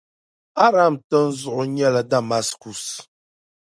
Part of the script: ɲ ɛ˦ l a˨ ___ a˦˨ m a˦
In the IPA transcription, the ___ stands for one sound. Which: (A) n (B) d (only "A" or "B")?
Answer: B